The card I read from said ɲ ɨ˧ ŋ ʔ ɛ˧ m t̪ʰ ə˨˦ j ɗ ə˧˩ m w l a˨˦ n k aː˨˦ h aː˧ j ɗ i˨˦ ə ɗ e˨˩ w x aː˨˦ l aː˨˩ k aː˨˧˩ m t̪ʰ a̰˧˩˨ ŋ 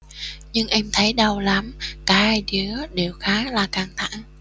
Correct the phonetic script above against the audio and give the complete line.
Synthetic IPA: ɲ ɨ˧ ŋ ʔ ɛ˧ m t̪ʰ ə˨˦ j ɗ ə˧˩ w l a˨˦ m k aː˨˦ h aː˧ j ɗ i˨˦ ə ɗ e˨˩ w x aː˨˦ l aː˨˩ k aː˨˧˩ ŋ t̪ʰ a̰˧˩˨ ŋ